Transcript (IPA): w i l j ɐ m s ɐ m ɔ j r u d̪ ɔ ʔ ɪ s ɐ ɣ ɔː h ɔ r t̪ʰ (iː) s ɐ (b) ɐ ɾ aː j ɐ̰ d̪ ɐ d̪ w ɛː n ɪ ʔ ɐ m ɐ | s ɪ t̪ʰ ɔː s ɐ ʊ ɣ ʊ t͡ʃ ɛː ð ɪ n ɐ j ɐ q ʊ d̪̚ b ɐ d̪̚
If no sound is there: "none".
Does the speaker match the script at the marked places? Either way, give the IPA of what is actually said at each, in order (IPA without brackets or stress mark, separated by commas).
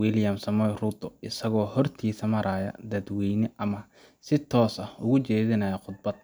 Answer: iː, m